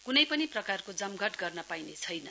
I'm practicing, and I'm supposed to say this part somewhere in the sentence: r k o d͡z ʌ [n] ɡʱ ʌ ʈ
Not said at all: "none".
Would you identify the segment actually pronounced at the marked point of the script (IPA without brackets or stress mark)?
m